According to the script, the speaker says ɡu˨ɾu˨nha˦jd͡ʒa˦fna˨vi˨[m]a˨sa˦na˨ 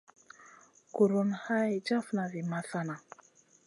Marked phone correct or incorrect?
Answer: correct